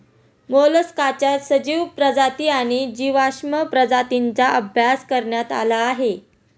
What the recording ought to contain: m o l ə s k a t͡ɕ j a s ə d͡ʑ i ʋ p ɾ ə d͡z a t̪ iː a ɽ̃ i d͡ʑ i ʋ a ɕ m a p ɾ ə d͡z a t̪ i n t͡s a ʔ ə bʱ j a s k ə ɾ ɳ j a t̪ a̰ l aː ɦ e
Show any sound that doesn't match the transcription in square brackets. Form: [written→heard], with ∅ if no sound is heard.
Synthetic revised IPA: m o l ə s k a t͡ɕ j a s ə d͡ʑ i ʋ p ɾ ə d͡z a t̪ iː a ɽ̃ i d͡ʑ i ʋ a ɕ m [a→ə] p ɾ ə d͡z a t̪ i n t͡s a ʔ ə bʱ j a s k ə ɾ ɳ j a t̪ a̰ l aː ɦ e